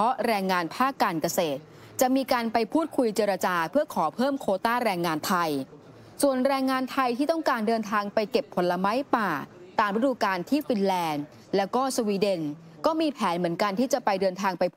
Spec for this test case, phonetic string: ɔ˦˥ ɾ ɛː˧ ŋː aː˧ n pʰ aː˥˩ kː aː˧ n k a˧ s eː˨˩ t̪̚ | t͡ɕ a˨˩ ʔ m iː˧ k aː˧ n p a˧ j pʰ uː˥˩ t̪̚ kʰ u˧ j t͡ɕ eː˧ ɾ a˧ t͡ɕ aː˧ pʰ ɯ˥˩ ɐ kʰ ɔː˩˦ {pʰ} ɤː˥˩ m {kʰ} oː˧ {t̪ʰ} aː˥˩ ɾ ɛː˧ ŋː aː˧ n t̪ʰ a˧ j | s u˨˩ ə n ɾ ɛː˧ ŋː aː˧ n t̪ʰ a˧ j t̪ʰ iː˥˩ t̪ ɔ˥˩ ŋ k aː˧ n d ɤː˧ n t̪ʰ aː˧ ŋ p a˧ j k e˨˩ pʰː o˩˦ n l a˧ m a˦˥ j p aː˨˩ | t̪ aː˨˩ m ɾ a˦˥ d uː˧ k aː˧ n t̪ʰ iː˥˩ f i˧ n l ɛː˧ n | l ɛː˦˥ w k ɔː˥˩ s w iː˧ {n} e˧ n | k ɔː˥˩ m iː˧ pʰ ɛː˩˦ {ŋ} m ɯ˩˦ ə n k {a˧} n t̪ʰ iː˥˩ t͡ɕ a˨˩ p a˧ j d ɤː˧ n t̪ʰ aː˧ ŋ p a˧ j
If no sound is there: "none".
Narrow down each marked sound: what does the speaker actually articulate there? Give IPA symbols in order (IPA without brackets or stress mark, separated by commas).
pʰ, kʰ, t̪, d, n, a˧